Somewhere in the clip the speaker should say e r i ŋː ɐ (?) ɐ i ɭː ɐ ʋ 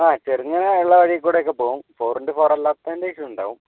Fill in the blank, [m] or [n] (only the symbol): n